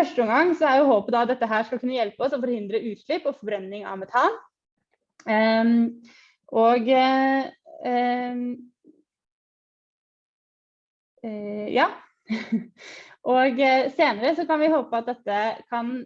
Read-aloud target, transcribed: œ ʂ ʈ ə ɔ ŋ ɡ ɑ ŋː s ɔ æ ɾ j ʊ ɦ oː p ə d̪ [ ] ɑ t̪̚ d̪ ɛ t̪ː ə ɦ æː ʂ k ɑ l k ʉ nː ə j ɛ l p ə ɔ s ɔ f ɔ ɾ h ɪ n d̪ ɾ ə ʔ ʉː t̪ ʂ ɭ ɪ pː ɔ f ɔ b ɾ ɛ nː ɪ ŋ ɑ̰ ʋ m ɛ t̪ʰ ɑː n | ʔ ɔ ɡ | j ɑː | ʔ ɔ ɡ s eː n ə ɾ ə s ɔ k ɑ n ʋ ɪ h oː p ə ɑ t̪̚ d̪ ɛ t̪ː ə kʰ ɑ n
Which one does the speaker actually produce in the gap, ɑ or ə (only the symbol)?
ɑ